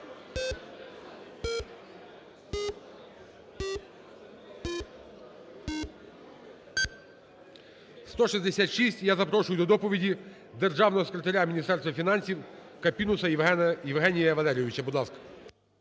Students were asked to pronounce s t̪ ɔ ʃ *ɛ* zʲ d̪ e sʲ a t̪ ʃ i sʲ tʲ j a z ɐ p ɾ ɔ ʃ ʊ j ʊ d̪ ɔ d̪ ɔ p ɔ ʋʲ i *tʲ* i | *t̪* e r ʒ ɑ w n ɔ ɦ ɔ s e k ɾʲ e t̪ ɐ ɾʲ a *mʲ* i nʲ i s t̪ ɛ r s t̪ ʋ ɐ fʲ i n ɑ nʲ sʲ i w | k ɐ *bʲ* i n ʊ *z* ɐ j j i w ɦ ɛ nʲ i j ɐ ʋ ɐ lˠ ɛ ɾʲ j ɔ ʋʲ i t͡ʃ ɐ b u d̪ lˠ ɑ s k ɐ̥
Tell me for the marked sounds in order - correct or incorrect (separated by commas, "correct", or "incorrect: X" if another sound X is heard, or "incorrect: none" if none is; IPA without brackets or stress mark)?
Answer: incorrect: i, incorrect: dʲ, incorrect: d̪, correct, incorrect: pʲ, incorrect: s